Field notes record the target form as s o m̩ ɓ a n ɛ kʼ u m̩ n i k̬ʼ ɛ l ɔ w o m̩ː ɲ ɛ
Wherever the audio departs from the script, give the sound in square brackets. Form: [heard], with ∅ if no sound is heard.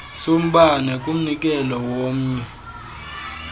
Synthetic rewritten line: s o m̩ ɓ a n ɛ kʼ u m̩ n i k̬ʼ ɛ l ɔ w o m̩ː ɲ ɛ